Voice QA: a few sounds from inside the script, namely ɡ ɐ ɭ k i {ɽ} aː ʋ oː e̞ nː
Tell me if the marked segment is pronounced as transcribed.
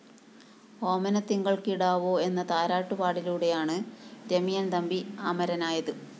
yes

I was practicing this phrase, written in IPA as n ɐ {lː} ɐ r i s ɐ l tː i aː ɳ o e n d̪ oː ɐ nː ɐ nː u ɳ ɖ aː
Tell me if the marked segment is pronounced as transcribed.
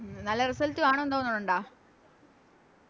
yes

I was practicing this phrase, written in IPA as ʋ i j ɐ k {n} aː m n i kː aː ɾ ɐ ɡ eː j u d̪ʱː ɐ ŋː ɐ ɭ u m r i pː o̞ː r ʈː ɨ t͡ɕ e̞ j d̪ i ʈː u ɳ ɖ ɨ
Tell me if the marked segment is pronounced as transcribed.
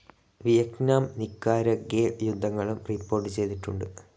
yes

